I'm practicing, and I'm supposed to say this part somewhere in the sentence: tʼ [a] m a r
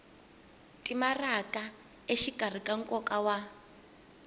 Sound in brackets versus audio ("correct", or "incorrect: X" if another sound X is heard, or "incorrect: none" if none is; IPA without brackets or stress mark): incorrect: i